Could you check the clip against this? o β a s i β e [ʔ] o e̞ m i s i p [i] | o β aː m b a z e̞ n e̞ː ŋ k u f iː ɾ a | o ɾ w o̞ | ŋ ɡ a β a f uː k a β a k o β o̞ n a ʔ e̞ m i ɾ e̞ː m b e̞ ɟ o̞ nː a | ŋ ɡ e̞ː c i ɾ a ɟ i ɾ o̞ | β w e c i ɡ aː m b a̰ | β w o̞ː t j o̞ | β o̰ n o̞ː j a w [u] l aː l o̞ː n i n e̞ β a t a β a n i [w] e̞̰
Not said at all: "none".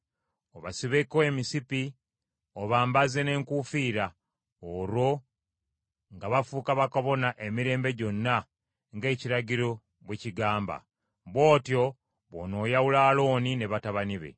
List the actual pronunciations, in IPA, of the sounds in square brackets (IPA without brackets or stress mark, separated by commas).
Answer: k, i, u, β